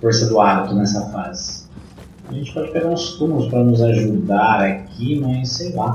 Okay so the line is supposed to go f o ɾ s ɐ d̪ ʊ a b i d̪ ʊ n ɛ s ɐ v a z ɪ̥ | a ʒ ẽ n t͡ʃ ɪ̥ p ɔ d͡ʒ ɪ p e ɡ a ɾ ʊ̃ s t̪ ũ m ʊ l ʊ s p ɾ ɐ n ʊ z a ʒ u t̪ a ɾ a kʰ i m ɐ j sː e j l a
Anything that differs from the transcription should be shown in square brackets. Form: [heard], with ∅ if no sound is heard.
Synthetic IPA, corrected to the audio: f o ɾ s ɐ d̪ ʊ a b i [t̪] ʊ n ɛ s ɐ [f] a z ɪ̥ | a ʒ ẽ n t͡ʃ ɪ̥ p ɔ d͡ʒ ɪ p e ɡ a ɾ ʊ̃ s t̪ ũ m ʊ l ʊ s p ɾ ɐ n ʊ z a ʒ u [d̪] a ɾ a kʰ i m ɐ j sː e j l a